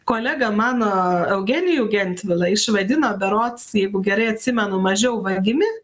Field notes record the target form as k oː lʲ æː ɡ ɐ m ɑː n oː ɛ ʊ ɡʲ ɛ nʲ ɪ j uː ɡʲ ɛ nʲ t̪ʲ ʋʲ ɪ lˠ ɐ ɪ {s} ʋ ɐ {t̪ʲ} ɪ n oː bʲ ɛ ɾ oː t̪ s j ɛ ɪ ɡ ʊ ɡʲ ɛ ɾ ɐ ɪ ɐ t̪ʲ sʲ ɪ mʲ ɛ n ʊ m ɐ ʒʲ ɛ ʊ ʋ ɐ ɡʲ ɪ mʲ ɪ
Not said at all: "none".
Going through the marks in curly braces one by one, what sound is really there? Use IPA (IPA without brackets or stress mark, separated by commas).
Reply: ʃ, d̪ʲ